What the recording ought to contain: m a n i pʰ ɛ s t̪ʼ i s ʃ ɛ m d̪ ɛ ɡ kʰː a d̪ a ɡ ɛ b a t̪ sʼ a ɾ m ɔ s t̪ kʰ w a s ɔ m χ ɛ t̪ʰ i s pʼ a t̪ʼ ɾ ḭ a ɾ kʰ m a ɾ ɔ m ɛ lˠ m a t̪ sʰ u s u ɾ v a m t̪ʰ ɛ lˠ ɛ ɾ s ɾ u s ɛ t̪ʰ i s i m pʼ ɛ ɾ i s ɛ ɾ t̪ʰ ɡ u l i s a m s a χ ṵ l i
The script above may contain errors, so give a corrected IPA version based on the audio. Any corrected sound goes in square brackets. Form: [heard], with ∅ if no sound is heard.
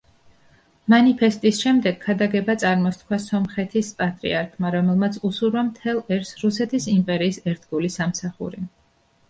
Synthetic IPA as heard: m a n i pʰ ɛ s t̪ʼ i s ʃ ɛ m d̪ ɛ ɡ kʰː a d̪ a ɡ ɛ b a t̪ sʼ a ɾ m ɔ s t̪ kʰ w a s ɔ m χ ɛ t̪ʰ i s pʼ a t̪ʼ ɾ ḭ a ɾ kʰ m a ɾ ɔ m ɛ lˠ m a t̪ sʰ u s u ɾ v a m t̪ʰ ɛ lˠ ɛ ɾ s ɾ u s ɛ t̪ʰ i s i m pʼ ɛ ɾ [iː] s ɛ ɾ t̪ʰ ɡ u l i s a m s a χ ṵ [ɾ] i